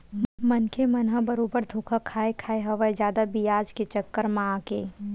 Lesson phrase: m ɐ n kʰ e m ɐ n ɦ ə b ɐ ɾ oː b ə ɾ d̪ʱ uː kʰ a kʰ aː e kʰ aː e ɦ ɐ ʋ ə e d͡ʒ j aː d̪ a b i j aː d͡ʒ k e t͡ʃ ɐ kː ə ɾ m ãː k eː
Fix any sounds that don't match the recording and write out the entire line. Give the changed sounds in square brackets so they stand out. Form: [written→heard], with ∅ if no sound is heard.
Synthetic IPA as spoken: m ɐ n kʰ e m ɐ n ɦ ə b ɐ ɾ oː b ə ɾ d̪ʱ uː kʰ a kʰ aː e kʰ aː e ɦ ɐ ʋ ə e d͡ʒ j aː d̪ a b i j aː d͡ʒ k e t͡ʃ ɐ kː ə ɾ m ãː k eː